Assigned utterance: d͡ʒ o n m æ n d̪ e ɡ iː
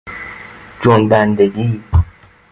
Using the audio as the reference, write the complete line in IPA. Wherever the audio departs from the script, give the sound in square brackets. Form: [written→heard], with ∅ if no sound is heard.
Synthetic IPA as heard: d͡ʒ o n [m→b] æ n d̪ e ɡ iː